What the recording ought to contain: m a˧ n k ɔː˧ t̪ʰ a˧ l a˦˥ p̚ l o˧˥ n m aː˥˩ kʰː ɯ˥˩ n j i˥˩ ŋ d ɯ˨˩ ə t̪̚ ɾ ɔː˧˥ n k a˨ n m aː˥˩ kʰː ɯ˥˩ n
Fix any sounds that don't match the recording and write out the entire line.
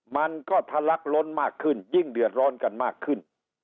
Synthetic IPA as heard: m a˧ n k ɔː˥˩ t̪ʰ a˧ l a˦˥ k̚ l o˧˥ n m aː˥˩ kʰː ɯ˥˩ n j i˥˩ ŋ d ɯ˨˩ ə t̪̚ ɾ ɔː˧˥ n k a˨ n m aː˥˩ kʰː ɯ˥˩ n